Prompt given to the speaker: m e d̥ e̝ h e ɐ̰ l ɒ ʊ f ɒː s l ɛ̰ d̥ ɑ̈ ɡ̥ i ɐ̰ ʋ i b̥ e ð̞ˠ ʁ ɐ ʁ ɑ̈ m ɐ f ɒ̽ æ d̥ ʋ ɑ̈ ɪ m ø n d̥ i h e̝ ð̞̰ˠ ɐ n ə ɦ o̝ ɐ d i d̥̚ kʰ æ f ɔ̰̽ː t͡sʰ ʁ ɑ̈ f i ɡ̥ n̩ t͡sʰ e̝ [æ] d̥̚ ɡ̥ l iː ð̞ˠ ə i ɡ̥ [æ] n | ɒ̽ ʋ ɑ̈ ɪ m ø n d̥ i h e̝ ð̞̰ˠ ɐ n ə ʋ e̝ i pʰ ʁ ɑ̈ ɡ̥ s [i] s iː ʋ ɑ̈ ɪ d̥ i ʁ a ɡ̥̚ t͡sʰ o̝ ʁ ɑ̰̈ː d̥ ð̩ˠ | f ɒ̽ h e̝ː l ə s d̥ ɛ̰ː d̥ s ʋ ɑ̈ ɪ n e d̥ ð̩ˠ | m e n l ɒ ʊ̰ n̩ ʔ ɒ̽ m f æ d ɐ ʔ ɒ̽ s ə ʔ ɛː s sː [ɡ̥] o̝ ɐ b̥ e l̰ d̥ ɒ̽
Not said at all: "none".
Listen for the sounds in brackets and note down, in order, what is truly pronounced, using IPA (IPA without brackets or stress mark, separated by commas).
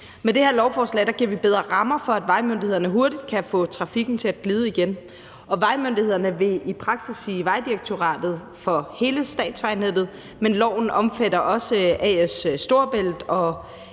æ, e, i, d̥